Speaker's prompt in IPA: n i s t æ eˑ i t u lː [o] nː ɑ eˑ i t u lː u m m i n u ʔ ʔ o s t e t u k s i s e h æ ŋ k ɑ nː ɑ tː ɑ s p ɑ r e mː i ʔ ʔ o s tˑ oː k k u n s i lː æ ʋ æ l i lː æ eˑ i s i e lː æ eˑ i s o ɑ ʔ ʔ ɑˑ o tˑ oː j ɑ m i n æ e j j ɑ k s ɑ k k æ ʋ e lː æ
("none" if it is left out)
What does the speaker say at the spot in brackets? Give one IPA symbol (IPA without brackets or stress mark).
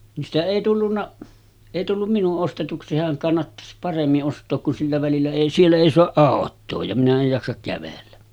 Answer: u